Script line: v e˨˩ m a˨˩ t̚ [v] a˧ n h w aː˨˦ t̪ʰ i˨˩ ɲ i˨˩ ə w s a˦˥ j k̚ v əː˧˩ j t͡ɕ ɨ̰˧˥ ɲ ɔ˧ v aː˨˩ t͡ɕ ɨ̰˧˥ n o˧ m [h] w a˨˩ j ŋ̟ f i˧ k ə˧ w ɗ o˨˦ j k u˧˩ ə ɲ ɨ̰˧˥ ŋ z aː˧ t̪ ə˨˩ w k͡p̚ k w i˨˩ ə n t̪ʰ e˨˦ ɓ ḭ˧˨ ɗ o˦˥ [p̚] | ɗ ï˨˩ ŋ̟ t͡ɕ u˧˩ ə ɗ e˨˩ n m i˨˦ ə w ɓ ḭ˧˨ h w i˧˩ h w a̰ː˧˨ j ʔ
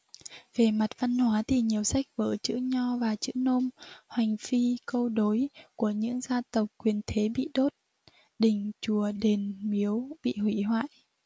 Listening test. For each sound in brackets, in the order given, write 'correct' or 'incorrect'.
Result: correct, correct, incorrect: t̚

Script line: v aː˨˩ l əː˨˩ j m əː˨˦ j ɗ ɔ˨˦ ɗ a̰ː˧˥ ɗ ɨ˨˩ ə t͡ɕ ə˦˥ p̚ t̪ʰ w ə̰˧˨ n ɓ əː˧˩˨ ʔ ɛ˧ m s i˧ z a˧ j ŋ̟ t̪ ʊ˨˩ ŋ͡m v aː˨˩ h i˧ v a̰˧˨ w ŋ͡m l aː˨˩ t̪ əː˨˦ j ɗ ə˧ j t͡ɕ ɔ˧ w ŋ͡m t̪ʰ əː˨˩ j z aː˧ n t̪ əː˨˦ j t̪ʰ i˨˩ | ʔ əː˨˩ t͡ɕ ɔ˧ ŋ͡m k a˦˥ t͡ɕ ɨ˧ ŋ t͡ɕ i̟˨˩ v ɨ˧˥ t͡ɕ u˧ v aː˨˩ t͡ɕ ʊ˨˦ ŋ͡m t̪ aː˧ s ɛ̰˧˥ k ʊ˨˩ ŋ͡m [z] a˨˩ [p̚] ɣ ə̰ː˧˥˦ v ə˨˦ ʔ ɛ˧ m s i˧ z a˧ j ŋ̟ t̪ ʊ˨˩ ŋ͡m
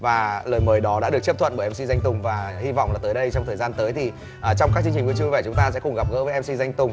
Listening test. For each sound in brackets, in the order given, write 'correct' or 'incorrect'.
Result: incorrect: ɣ, correct

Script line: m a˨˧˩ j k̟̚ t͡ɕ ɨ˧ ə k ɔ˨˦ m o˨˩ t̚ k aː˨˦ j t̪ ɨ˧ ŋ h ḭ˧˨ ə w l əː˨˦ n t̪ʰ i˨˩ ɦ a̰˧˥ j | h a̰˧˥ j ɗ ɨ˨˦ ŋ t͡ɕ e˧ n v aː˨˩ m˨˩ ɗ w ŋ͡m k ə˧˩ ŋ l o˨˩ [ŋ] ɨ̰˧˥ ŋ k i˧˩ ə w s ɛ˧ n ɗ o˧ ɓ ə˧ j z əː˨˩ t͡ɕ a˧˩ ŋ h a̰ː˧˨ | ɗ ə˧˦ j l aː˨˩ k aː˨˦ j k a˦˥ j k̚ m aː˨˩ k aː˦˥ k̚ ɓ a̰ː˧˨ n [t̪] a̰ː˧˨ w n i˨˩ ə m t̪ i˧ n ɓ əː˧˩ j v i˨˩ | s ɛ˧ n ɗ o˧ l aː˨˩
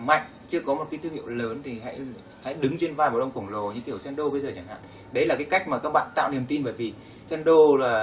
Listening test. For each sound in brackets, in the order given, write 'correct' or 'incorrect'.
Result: incorrect: ɲ, correct

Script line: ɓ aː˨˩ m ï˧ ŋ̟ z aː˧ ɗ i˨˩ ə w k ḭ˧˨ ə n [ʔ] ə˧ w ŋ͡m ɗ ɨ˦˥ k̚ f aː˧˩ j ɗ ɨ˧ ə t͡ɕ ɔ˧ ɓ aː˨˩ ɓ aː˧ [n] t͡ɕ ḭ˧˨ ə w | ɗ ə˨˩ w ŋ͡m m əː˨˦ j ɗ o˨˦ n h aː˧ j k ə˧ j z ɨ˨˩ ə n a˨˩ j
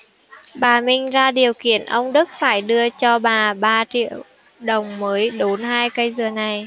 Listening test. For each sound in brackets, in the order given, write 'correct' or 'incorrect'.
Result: correct, incorrect: none

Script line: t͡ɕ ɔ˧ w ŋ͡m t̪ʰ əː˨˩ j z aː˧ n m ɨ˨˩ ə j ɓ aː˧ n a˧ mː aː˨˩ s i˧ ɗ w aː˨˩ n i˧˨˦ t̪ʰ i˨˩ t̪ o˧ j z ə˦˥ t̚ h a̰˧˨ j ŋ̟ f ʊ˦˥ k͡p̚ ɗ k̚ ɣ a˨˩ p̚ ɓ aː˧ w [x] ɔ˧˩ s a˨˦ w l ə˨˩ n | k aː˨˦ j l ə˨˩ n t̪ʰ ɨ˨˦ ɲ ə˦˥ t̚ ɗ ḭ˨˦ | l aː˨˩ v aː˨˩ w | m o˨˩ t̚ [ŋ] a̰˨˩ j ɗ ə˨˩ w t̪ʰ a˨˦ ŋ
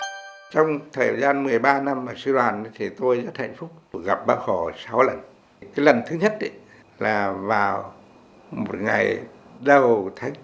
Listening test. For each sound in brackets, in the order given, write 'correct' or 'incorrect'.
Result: correct, correct

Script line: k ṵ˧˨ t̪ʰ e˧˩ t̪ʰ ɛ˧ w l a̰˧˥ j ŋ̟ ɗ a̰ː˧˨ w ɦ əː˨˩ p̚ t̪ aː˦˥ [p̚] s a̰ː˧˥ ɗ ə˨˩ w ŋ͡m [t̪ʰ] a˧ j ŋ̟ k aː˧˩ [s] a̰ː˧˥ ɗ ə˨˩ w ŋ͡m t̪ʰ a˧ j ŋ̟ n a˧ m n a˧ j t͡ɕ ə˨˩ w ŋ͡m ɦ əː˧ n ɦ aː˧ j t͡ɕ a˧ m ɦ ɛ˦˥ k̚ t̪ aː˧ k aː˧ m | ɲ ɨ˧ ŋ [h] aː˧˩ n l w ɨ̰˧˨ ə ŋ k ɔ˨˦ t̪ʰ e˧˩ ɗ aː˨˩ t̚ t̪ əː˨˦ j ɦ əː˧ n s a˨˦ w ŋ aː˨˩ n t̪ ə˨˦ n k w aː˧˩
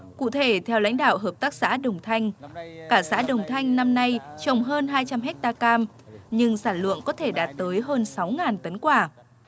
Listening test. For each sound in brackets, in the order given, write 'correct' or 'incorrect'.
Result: incorrect: k̚, correct, correct, incorrect: s

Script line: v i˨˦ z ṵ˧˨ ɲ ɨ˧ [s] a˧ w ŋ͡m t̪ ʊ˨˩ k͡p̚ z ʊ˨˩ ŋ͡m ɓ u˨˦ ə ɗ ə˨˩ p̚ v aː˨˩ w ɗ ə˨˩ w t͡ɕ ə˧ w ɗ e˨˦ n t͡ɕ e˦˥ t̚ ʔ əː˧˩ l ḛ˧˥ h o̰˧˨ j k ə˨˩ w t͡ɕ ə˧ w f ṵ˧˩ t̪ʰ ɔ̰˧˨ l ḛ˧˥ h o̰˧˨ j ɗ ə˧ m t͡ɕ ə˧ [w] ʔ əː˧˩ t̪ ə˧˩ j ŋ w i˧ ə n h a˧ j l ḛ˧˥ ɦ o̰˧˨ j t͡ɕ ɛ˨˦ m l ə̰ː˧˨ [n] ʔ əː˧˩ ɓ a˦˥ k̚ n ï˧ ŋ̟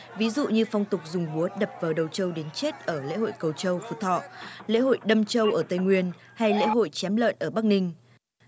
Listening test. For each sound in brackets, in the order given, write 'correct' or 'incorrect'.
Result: incorrect: f, correct, correct

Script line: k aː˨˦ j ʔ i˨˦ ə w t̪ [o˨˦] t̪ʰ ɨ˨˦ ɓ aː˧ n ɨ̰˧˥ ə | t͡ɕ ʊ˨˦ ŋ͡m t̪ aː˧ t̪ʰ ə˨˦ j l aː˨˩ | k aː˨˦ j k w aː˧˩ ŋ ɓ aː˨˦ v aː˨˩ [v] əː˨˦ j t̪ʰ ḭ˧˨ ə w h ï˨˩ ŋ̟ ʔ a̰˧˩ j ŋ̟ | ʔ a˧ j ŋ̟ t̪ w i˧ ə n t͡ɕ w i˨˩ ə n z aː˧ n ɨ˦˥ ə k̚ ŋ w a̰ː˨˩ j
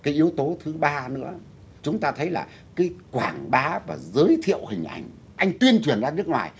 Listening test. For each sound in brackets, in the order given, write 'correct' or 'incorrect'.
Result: correct, incorrect: z

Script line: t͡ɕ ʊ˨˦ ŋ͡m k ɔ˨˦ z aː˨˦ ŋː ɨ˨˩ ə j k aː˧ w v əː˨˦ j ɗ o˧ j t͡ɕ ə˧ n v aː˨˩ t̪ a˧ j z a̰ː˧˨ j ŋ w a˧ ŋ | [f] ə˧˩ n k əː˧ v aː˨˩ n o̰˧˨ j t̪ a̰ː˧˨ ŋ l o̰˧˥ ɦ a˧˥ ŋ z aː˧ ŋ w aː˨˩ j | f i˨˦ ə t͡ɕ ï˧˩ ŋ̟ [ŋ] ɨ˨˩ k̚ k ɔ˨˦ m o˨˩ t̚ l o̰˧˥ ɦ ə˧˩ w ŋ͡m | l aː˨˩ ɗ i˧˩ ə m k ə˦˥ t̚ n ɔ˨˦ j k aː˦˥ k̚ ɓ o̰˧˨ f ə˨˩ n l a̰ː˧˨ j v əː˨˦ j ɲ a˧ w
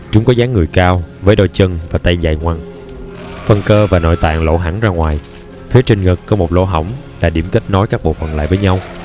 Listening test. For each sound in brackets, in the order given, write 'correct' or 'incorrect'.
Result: correct, correct

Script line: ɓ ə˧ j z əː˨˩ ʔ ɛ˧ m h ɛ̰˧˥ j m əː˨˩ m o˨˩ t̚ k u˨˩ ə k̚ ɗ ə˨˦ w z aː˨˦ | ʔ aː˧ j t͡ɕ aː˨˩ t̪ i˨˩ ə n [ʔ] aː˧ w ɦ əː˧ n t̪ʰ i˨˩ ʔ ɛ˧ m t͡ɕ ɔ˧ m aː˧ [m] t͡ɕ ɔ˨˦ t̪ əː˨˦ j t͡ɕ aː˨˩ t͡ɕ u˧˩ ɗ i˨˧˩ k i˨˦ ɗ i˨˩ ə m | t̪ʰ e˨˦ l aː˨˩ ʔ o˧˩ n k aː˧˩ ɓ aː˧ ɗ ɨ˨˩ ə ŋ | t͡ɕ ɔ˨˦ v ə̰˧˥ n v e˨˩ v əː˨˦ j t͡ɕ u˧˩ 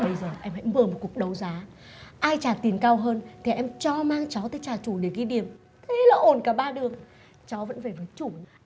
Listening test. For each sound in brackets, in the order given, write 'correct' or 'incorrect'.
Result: incorrect: k, incorrect: ŋ

